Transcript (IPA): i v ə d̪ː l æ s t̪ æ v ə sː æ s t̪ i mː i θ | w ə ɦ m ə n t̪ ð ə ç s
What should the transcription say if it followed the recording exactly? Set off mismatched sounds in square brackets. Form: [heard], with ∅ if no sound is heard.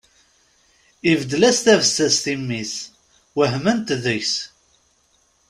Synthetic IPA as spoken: i v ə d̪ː l æ s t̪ æ v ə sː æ s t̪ i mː i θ | w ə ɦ m ə n t̪ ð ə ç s